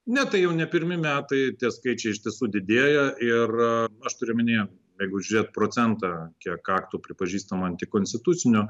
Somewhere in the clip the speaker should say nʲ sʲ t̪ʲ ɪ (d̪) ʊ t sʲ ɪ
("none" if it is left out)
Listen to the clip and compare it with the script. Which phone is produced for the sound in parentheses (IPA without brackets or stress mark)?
t̪